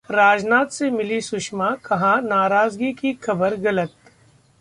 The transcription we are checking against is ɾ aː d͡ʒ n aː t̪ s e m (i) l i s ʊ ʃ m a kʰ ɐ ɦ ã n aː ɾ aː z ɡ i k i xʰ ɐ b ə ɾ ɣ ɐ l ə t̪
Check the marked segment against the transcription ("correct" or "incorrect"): incorrect